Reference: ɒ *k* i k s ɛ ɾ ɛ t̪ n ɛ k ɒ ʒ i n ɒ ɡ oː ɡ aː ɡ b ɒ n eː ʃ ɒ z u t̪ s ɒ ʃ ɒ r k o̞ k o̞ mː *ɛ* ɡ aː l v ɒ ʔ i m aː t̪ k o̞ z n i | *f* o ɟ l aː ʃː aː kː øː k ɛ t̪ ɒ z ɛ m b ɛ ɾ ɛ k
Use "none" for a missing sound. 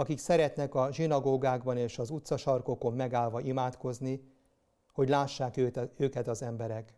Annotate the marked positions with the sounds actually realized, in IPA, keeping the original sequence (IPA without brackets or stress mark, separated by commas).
k, ɛ, h